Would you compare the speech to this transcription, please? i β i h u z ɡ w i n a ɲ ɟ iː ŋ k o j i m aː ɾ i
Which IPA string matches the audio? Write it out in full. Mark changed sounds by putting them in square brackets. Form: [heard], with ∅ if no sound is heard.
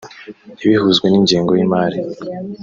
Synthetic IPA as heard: i β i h u z ɡ w [e] n [i] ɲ ɟ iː ŋ [ɡ] o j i m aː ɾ i